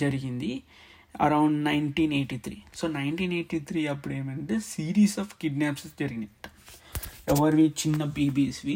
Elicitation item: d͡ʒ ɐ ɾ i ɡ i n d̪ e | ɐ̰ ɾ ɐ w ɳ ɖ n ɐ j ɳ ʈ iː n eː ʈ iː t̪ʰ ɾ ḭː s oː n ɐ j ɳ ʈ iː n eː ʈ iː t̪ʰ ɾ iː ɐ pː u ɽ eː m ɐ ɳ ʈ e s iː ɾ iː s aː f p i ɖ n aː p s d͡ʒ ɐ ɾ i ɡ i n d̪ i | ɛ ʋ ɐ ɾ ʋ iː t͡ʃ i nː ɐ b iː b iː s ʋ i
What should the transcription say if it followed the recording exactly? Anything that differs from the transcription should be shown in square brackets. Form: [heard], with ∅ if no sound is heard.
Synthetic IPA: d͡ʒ ɐ ɾ i ɡ i n d̪ [i] | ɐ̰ ɾ ɐ w ɳ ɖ n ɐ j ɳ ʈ iː n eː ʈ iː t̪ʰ ɾ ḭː s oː n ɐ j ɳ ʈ iː n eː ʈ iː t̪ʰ ɾ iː ɐ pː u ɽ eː m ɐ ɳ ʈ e s iː ɾ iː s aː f [k] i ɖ n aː p s d͡ʒ ɐ ɾ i ɡ i n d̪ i | ɛ ʋ ɐ ɾ ʋ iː t͡ʃ i nː ɐ b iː b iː s ʋ i